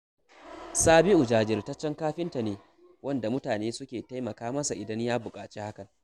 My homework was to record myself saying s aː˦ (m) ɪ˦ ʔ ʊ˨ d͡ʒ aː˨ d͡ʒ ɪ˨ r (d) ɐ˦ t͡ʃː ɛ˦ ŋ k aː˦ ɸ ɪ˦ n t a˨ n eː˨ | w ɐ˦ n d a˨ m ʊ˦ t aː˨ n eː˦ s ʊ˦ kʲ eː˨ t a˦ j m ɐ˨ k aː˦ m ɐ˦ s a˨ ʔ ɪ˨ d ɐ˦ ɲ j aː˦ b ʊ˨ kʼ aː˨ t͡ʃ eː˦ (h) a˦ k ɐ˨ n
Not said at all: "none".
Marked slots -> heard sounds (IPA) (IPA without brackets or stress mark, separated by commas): b, t, h